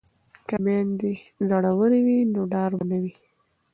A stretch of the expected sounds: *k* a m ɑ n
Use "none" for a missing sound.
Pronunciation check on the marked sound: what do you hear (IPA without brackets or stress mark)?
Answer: k